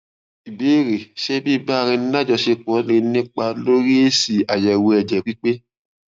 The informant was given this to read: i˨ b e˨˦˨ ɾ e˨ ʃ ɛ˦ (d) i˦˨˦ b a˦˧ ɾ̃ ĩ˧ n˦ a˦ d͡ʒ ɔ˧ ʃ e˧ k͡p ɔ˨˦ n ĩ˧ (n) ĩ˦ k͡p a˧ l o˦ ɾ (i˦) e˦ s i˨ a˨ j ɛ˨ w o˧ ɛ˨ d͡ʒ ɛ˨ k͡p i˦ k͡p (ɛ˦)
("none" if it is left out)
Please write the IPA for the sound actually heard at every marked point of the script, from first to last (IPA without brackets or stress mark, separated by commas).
b, n, i˦, e˦